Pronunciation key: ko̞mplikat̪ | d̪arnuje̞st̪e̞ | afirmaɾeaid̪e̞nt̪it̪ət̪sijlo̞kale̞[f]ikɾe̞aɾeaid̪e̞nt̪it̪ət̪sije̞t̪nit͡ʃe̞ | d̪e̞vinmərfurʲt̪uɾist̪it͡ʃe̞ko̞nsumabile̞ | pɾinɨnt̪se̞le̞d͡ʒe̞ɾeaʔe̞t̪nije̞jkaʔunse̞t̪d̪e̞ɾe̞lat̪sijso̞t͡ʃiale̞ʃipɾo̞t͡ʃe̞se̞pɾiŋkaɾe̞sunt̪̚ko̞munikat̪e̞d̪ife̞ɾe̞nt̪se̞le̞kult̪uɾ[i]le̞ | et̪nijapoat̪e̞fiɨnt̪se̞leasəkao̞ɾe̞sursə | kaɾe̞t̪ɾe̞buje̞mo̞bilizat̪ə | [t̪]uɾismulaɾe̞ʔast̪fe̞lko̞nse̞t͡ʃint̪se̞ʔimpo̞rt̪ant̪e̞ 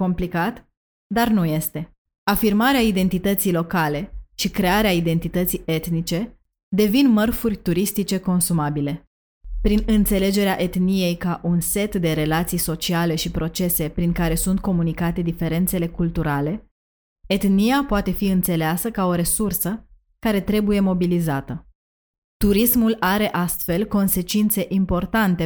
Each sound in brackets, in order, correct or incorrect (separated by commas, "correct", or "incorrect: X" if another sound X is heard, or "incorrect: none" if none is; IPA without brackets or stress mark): incorrect: ʃ, incorrect: a, correct